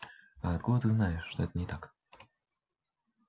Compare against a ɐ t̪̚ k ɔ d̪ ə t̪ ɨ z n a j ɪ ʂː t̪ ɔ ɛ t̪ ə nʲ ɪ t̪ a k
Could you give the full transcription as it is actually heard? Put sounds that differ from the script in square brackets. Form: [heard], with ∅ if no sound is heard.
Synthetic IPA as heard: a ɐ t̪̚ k [u] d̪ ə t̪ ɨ z n a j ɪ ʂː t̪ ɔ ɛ t̪ ə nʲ ɪ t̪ a k